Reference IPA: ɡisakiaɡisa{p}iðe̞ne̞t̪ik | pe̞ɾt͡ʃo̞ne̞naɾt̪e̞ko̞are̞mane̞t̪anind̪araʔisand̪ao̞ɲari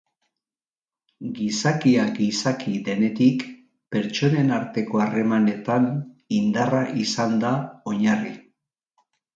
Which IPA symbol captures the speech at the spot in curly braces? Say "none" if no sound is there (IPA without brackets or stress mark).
k